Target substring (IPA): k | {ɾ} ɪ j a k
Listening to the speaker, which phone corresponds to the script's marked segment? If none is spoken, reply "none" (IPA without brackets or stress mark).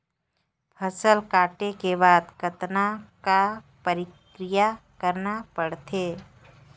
ɾ